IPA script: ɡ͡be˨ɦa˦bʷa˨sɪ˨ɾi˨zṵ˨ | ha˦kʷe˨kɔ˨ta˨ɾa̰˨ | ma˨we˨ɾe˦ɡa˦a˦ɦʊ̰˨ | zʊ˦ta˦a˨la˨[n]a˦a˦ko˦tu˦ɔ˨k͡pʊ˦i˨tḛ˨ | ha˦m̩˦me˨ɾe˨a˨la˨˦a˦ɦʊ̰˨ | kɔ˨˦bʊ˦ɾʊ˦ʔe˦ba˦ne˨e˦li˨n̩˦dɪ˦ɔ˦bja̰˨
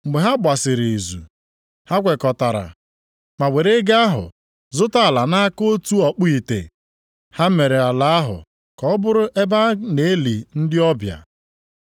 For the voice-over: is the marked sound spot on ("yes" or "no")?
yes